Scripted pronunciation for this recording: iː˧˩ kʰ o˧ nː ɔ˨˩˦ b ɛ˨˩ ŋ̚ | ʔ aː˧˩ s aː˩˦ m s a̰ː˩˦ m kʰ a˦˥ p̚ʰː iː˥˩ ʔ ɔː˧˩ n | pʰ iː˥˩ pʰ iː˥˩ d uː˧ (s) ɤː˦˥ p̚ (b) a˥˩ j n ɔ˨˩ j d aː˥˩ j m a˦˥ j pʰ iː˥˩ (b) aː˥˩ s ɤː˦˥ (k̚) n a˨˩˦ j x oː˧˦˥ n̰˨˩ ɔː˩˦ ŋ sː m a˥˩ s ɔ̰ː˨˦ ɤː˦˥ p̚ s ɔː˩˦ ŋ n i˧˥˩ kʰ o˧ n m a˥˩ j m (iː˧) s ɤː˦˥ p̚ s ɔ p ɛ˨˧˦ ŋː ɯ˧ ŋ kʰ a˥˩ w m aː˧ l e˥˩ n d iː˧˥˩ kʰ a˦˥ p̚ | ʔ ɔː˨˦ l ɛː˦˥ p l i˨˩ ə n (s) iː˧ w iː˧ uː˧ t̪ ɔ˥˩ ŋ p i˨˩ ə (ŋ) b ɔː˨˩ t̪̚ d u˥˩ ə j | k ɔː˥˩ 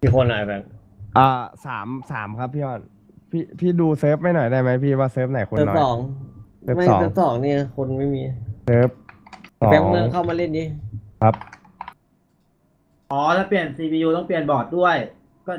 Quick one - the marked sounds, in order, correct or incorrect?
correct, incorrect, incorrect, incorrect, correct, correct, incorrect

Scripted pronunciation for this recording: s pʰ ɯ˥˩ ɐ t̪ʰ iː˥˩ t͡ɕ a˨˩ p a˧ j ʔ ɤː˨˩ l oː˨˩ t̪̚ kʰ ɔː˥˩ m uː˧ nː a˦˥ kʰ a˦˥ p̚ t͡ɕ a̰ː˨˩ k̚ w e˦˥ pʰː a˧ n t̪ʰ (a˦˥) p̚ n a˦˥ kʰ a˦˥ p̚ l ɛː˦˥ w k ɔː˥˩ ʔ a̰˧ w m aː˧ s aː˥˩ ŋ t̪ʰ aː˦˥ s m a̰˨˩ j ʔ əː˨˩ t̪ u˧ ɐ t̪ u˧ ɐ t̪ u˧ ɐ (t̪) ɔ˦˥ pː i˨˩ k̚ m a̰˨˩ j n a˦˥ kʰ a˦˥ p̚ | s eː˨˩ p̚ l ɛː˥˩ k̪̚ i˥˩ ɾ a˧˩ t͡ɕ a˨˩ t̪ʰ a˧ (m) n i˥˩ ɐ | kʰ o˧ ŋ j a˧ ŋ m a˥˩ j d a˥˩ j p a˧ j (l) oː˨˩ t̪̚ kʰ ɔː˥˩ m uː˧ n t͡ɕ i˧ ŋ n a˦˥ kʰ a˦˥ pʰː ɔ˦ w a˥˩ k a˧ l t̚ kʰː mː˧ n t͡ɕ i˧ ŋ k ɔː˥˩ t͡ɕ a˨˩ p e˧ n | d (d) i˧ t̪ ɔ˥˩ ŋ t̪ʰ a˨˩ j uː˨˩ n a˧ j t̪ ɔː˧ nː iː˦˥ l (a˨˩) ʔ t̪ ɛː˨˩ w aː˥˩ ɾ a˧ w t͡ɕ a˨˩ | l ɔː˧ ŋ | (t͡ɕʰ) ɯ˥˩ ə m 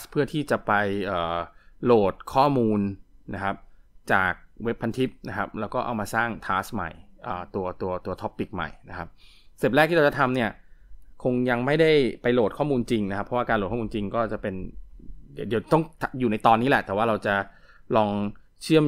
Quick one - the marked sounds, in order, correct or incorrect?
incorrect, incorrect, correct, correct, correct, incorrect, correct

